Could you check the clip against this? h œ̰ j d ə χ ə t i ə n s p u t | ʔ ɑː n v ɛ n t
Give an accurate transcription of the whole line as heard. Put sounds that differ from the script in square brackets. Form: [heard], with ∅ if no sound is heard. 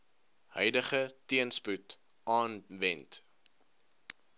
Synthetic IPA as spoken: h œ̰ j d ə χ ə t i ə n s p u t | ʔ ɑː n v ɛ n t